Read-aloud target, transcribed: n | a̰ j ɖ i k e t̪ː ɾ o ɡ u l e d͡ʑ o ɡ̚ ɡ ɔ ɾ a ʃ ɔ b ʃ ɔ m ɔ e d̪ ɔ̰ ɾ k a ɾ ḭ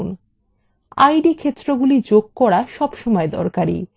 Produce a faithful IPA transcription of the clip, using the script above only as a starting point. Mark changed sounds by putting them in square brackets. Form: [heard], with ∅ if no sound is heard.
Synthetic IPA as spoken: n | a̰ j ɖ i [kʰ] e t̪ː ɾ o ɡ u l [i] d͡ʑ o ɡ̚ [k] ɔ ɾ a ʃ ɔ b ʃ ɔ m ɔ e d̪ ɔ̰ ɾ k a ɾ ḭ